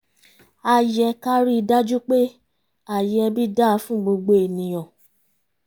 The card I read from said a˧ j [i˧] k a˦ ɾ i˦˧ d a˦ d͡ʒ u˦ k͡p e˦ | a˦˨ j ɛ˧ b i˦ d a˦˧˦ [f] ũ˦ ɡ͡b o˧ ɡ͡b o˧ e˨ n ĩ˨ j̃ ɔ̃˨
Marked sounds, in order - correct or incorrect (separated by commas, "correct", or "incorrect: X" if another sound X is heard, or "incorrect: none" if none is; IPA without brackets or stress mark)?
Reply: incorrect: ɛ˧, correct